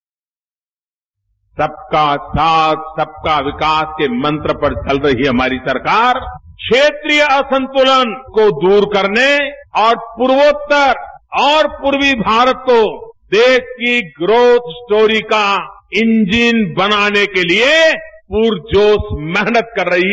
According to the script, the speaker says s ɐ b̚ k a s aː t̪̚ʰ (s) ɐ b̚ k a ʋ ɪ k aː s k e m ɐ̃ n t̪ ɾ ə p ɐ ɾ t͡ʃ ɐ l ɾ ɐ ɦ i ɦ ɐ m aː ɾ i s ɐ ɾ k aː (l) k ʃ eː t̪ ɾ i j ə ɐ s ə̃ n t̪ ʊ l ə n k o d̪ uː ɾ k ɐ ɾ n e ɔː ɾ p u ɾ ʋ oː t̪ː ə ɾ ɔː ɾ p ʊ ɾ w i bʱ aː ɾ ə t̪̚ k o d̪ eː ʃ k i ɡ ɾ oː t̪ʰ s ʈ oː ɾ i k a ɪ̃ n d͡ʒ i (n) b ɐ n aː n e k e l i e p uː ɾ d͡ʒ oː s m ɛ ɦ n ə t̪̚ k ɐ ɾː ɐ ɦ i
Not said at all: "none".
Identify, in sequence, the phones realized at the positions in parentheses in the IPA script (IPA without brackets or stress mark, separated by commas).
s, ɾ, n